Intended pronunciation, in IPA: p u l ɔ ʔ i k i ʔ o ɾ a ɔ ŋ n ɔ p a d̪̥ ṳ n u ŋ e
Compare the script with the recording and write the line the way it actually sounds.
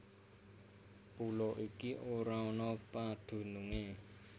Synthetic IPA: p u l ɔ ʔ i k i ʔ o ɾ a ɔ n ɔ p a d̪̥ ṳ n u ŋ e